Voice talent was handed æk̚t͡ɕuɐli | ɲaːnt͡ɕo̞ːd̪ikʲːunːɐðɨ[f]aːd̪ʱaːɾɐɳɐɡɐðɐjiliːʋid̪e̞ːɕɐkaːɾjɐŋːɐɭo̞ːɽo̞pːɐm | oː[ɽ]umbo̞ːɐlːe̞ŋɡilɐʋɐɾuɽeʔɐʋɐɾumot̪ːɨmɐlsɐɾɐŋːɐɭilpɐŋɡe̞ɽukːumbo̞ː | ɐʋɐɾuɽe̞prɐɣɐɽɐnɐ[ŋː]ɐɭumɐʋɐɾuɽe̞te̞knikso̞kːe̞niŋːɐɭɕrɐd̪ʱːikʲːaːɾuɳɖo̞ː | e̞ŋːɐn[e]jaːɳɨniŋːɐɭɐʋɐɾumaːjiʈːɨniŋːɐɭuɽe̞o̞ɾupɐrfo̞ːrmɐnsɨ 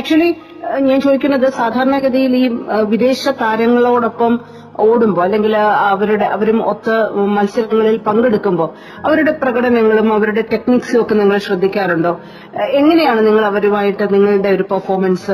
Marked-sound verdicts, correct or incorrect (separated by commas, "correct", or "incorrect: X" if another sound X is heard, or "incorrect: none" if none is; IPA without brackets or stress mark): incorrect: s, correct, correct, correct